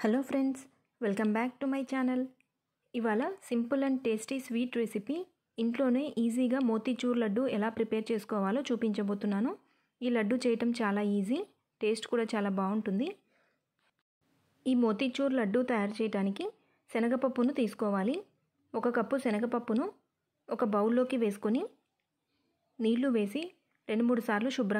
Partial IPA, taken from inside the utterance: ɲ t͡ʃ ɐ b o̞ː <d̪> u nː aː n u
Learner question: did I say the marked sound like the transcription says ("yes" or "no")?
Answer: no